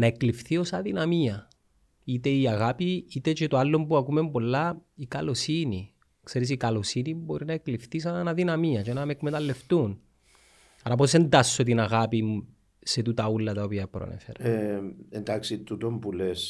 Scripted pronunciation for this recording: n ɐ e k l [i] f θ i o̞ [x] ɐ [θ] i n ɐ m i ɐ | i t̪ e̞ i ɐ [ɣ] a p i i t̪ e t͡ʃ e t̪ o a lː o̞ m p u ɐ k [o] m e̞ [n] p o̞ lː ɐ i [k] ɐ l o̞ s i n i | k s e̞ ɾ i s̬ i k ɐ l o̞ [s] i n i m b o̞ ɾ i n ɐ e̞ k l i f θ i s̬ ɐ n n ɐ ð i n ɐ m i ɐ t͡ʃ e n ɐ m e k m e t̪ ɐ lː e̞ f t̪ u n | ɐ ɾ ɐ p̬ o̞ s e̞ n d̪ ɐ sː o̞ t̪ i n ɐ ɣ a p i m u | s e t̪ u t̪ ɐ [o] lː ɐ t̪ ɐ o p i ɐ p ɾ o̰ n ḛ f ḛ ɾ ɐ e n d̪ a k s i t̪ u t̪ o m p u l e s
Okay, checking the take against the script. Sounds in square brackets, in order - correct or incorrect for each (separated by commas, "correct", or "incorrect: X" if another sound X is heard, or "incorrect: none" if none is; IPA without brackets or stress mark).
correct, incorrect: s, incorrect: ð, correct, incorrect: u, incorrect: m, correct, correct, incorrect: u